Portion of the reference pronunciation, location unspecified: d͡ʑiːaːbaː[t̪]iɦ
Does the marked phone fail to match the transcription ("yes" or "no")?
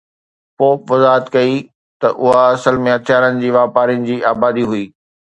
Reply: yes